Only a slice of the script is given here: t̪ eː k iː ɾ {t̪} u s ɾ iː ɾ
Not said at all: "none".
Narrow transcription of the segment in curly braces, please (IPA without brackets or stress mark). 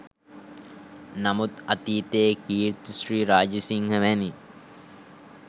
t̪